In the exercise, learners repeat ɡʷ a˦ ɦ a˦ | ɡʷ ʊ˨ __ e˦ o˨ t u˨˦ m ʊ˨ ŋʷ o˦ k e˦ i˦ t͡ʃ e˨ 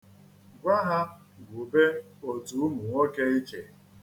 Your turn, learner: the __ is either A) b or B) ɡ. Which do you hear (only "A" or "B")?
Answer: A